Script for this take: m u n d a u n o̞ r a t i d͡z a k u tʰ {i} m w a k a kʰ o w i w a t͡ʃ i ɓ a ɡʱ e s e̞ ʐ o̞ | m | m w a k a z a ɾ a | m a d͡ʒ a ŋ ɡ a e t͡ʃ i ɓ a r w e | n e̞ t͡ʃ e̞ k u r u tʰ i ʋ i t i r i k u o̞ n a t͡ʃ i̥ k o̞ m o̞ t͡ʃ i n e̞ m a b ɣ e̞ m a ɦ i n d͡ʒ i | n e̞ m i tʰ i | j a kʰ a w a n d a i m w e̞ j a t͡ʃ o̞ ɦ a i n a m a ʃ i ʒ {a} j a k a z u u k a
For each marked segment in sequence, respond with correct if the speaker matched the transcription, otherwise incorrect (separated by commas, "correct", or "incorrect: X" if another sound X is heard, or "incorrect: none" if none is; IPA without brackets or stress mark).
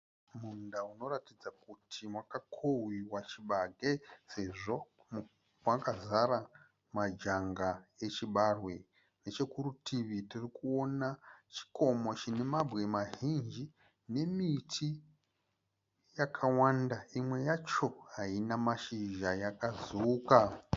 correct, correct